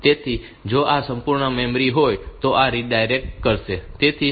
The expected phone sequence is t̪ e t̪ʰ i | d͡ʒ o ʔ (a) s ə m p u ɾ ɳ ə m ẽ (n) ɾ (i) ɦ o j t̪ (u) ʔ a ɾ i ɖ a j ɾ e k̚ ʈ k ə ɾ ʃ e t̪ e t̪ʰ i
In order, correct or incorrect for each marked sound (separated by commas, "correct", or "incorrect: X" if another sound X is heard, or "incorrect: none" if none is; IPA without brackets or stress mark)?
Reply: correct, incorrect: m, correct, incorrect: o